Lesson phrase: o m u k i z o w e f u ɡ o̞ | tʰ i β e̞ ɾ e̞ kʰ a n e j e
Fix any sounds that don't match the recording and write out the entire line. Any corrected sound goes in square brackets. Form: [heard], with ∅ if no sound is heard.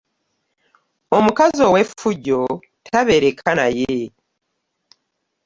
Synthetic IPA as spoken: o m u k [a] z o w e f u [ɟ] o̞ | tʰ [a] β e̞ ɾ e̞ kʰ a n [a] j e